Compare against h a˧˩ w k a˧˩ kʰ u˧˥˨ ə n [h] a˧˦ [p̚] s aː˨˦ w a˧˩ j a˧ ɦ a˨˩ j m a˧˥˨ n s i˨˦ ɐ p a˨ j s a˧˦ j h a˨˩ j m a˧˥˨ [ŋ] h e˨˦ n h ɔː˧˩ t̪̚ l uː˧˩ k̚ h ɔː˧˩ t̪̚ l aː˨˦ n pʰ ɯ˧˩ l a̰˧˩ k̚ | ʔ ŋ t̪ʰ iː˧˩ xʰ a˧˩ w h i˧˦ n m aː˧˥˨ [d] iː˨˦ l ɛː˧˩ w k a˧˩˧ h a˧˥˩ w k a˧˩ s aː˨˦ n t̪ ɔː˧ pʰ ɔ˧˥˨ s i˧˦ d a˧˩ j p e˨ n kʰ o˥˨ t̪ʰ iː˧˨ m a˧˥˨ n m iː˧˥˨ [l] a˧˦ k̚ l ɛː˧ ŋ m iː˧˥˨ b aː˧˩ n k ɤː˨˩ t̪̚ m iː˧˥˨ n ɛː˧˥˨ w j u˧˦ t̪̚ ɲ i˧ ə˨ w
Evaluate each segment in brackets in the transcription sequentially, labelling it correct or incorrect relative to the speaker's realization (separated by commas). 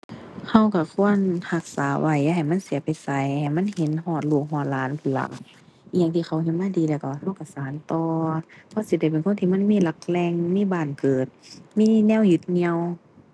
correct, incorrect, incorrect, correct, correct